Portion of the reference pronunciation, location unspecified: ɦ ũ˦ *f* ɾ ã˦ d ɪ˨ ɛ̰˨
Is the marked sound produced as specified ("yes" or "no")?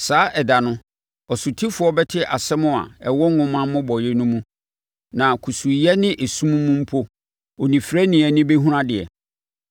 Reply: no